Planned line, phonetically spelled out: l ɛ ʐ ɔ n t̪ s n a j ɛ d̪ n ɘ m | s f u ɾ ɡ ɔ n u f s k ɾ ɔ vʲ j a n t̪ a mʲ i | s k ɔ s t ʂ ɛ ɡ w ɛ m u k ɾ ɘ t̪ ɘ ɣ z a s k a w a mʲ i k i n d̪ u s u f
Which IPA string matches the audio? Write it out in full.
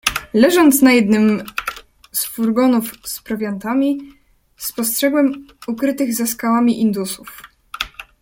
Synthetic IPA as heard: l ɛ ʐ ɔ n t̪ s n a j ɛ d̪ n ɘ m | s f u ɾ ɡ ɔ n u f s p ɾ ɔ vʲ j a n t̪ a mʲ i | s p ɔ s t ʂ ɛ ɡ w ɛ m u k ɾ ɘ t̪ ɘ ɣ z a s k a w a mʲ i ʔ i n d̪ u s u f